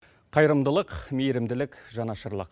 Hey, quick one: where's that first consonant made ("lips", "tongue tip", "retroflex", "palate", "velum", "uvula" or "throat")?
uvula